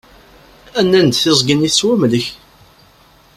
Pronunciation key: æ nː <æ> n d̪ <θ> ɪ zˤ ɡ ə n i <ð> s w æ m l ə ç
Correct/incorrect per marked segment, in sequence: correct, correct, incorrect

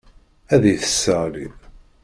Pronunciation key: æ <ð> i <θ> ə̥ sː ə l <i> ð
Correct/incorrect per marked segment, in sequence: correct, correct, correct

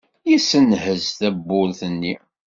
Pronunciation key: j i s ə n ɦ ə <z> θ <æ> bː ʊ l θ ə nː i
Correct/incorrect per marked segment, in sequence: correct, correct

